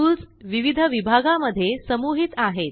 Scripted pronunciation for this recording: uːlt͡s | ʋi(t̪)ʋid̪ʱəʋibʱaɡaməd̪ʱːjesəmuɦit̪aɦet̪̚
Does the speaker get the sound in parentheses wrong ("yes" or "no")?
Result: yes